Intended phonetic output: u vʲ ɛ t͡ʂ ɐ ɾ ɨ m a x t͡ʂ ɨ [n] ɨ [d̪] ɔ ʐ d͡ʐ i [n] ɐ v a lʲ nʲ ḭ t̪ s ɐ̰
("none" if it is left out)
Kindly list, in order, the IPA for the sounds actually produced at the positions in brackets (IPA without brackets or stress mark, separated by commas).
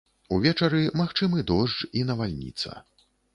m, d̪, n